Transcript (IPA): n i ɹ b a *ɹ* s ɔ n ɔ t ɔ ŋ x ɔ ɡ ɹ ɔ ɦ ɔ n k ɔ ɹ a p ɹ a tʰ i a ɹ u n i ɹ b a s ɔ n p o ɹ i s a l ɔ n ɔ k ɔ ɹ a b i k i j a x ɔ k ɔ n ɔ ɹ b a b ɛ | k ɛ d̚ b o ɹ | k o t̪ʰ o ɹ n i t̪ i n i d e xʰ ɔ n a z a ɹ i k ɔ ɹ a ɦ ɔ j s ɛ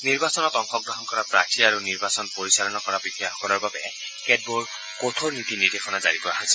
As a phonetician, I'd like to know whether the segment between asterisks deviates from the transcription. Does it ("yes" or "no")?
yes